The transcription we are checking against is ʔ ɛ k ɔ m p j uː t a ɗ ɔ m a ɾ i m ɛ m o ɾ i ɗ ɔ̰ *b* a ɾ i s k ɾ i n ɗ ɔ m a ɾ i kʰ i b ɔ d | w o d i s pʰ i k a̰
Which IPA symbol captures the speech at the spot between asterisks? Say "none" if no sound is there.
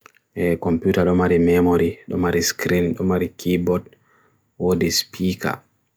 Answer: m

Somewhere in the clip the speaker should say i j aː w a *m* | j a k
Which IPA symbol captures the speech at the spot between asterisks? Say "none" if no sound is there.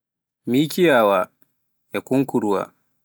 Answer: none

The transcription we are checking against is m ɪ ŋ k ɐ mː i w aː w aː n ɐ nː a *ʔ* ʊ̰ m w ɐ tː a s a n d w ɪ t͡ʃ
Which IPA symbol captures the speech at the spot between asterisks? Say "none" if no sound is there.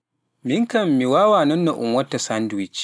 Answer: ʔ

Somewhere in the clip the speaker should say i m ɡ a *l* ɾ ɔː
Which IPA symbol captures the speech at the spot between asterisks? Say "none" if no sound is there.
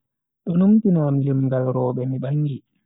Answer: l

